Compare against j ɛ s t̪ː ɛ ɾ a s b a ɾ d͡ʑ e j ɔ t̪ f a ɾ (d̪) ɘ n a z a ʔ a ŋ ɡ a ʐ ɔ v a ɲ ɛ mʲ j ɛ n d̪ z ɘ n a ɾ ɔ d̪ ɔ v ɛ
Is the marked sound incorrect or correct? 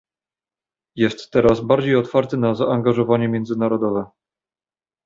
incorrect